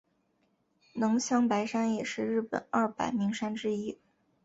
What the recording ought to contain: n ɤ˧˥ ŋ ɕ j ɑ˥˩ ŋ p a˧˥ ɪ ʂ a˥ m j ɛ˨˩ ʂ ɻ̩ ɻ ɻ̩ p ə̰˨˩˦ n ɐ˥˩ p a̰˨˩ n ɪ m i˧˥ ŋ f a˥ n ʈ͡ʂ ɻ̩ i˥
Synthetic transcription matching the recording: n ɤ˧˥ ŋ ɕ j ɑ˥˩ ŋ p a˧˥ ɪ ʂ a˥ n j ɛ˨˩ ʂ ɻ̩ ɻ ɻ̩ p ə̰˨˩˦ n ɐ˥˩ p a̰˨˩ ɪ m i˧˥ ŋ ʂ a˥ n ʈ͡ʂ ɻ̩ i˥